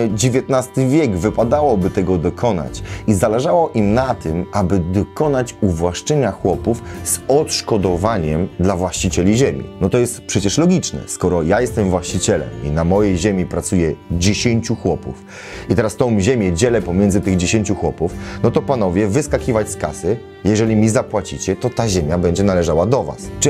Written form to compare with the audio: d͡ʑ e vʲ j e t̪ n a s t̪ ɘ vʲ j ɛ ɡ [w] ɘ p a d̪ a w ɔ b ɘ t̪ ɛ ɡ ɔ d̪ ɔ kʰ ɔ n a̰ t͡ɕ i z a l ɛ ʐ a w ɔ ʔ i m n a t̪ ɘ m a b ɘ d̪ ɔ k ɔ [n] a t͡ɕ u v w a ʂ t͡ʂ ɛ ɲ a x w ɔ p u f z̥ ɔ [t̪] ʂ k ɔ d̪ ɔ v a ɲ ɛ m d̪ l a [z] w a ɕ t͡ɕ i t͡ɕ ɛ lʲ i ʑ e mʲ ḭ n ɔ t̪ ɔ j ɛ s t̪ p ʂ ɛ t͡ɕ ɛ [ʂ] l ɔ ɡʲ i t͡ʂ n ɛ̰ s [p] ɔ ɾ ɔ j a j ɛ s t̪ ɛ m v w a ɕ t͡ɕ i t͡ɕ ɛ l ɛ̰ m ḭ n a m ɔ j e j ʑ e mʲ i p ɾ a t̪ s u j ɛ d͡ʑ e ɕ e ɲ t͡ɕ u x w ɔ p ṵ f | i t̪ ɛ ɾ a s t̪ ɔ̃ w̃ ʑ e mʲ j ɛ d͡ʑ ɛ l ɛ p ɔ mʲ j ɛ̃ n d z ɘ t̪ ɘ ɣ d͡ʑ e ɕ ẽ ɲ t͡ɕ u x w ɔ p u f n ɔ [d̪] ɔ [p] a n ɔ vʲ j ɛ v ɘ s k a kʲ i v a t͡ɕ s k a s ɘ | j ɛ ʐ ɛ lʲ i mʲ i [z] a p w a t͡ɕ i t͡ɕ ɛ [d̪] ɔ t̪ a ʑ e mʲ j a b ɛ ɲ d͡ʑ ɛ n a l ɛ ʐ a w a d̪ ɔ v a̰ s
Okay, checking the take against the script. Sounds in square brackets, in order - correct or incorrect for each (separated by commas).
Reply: incorrect, correct, correct, incorrect, correct, incorrect, incorrect, correct, correct, incorrect